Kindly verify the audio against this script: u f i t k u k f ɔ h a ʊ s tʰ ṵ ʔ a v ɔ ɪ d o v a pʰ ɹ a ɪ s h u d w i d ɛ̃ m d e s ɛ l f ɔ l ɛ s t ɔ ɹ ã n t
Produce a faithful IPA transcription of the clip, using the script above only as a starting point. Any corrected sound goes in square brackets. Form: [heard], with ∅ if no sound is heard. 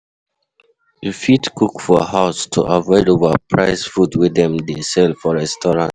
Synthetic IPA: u f i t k u k f ɔ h a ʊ s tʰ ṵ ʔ a v ɔ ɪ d o v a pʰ ɹ a ɪ s [f] u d w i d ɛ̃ m d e s ɛ l f ɔ [ɹ] ɛ s t ɔ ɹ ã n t